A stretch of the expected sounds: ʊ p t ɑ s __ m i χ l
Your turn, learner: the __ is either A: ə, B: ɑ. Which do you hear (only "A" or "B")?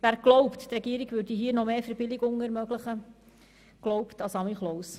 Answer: B